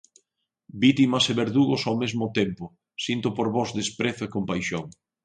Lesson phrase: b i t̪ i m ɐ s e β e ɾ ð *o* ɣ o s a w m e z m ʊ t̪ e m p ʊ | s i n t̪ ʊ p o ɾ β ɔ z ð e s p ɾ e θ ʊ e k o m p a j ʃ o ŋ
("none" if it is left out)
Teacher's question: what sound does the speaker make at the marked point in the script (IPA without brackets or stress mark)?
u